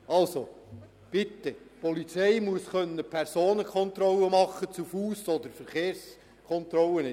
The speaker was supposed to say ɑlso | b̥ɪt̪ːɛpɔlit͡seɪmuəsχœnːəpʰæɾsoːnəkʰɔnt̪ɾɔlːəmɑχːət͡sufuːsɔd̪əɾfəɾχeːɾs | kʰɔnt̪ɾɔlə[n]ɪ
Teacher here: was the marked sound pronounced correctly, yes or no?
yes